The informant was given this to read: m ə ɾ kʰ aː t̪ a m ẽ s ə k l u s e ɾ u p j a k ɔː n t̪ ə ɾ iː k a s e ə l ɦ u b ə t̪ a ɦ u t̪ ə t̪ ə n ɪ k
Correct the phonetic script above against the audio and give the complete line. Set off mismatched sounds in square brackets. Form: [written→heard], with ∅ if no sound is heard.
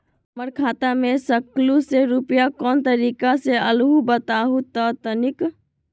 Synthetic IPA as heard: m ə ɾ kʰ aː t̪ a m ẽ s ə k l u s e ɾ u p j a k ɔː n t̪ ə ɾ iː k a s e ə l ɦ u b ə t̪ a ɦ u t̪ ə t̪ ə n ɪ k